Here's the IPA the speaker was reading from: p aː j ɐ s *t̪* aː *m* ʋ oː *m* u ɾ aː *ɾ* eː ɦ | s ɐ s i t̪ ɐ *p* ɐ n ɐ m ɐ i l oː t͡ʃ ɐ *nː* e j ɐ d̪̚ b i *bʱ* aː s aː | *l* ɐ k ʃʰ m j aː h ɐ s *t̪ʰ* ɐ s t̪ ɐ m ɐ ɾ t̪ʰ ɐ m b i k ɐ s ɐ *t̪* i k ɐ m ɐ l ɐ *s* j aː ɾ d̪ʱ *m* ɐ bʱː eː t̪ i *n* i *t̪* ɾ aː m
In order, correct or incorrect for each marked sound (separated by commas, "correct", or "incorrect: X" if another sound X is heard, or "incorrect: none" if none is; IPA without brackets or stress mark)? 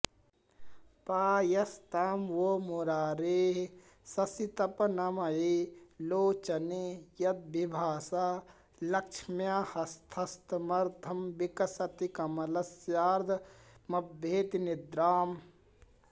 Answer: correct, correct, correct, correct, correct, incorrect: n, correct, correct, correct, correct, correct, correct, correct, incorrect: d̪